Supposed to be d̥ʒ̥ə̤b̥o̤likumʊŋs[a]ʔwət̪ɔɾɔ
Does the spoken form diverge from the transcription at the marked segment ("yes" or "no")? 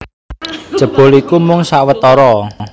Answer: no